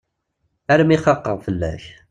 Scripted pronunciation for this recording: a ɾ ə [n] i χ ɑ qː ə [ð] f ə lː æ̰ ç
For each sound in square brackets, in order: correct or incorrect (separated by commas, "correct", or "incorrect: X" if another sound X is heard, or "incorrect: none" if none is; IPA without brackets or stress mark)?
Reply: incorrect: m, incorrect: ʁ